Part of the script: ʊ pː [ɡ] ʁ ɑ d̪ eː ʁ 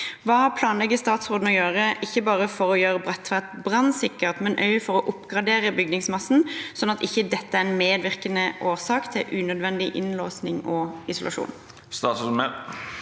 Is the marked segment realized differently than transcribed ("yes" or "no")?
no